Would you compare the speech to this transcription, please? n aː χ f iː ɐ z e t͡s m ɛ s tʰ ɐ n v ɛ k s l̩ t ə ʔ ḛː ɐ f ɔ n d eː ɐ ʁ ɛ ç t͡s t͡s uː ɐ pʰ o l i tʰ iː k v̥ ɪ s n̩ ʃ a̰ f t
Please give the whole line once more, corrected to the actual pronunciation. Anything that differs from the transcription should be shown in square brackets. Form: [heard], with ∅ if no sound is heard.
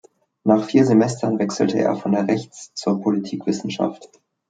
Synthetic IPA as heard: n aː χ f iː ɐ z e [∅] m ɛ s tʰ ɐ n v ɛ k s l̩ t ə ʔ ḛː ɐ f ɔ n d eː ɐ ʁ ɛ ç t͡s t͡s uː ɐ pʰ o l i tʰ iː k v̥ ɪ s n̩ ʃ a̰ f t